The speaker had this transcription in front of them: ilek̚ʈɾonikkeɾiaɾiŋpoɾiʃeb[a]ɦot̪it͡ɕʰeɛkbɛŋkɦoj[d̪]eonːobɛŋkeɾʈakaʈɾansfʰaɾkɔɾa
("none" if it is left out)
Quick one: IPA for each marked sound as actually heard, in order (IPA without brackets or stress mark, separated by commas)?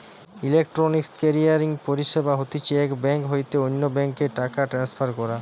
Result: a, t̪